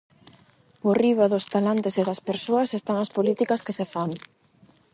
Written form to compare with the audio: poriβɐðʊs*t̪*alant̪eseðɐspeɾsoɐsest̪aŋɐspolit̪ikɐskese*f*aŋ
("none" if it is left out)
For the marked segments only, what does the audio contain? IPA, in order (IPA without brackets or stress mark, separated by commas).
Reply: t̪, f